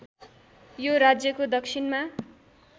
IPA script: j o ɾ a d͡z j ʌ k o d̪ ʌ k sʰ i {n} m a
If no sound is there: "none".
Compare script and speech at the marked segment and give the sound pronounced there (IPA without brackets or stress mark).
n